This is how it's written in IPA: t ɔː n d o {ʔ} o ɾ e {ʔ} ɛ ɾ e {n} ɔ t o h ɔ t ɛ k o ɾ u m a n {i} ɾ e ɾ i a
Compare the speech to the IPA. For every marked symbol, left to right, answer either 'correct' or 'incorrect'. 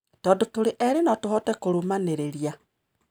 incorrect, correct, correct, incorrect

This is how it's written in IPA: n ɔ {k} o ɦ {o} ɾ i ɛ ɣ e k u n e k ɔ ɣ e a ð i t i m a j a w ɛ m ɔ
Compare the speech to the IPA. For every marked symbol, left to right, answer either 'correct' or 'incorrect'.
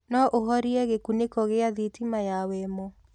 incorrect, incorrect

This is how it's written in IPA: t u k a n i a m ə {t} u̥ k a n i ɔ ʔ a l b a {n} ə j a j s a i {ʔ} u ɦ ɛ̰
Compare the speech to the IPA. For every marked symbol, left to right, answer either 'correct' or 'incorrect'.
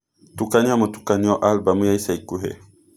correct, incorrect, incorrect

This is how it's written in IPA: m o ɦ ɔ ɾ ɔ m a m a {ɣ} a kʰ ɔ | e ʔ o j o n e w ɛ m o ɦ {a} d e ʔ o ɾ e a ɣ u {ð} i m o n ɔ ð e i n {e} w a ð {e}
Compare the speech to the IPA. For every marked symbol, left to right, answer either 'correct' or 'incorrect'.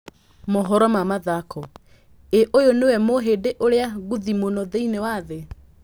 incorrect, incorrect, correct, correct, correct

